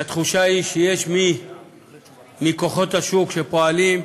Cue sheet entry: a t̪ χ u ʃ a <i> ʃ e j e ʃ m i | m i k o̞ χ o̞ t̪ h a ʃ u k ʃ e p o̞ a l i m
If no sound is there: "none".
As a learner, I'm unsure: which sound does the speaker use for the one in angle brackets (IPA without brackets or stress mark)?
i